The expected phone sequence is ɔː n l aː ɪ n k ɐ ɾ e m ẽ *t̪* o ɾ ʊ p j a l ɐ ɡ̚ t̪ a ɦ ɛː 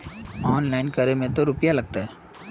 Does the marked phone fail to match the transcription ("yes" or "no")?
no